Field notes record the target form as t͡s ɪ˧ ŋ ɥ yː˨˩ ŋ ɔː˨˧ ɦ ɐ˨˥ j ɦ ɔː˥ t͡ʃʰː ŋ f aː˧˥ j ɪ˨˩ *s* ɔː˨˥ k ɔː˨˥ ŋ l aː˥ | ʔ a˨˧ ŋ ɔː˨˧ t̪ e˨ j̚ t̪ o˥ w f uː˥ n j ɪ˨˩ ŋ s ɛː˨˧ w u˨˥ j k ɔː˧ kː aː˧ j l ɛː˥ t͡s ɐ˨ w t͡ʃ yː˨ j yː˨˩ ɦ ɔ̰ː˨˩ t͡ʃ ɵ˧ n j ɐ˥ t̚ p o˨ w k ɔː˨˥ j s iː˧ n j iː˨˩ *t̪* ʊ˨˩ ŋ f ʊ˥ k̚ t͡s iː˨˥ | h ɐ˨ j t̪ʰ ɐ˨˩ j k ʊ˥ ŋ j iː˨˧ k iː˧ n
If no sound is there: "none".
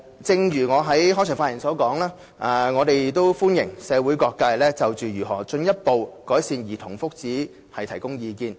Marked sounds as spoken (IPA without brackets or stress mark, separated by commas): s, t̪ʰ